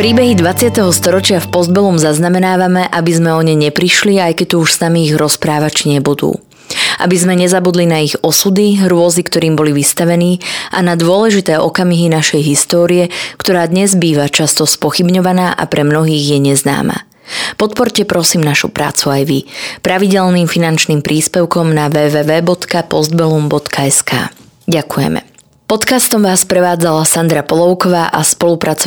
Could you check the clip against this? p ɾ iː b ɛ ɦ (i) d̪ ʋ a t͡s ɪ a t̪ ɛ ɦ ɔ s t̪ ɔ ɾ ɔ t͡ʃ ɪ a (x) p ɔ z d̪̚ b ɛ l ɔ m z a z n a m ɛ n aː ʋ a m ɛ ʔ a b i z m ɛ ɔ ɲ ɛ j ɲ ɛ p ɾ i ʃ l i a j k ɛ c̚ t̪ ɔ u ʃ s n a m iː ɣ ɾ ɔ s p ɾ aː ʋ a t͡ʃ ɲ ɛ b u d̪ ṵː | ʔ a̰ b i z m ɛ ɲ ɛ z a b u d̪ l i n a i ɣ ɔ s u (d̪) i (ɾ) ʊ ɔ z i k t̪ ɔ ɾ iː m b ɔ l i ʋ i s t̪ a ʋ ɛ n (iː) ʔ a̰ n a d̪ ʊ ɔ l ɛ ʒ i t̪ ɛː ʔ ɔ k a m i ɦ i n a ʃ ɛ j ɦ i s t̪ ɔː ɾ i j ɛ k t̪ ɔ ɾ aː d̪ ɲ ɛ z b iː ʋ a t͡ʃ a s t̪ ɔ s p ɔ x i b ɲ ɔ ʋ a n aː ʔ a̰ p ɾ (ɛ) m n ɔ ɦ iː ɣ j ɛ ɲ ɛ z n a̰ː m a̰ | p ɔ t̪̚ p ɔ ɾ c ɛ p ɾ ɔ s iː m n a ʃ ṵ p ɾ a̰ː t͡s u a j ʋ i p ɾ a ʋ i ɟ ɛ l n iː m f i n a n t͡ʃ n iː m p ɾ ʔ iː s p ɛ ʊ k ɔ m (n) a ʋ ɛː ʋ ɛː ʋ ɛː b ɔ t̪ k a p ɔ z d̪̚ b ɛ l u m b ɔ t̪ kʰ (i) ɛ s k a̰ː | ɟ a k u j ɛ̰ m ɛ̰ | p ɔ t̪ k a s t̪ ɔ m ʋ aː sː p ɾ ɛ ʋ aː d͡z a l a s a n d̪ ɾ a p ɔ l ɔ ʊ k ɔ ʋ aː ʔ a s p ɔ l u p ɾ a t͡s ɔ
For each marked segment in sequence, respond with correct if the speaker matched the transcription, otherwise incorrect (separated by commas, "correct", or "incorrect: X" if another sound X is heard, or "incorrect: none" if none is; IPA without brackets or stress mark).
correct, incorrect: f, correct, correct, correct, correct, correct, incorrect: a